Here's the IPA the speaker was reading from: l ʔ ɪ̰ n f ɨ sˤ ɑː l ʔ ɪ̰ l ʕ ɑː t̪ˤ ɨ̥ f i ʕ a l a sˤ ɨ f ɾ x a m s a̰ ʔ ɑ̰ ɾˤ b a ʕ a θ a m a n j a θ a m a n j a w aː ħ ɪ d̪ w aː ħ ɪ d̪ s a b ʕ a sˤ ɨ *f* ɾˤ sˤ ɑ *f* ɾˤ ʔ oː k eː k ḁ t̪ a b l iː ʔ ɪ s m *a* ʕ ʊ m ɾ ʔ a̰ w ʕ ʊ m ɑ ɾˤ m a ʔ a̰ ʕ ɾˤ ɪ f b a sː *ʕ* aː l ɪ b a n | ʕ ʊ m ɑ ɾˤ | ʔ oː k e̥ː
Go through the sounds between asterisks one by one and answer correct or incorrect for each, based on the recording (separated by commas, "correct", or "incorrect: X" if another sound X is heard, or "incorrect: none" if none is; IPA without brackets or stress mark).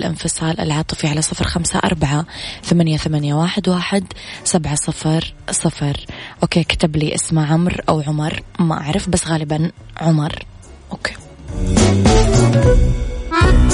correct, correct, correct, incorrect: ɣ